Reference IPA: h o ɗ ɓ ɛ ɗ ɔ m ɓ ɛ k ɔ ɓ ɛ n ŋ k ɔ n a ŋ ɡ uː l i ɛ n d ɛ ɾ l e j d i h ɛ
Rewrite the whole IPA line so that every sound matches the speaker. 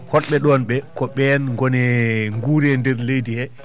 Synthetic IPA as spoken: h ɔ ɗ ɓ ɛ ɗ ɔ n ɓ ɛ k ɔ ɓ ɛ n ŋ ɡ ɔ n ɛ ŋ ɡ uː ɾ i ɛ n d ɛ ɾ l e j d i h ɛ